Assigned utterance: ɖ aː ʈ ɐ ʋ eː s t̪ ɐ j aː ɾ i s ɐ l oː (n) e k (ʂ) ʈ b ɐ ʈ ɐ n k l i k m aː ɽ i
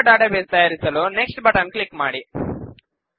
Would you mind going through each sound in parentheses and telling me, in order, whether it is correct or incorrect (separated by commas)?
correct, incorrect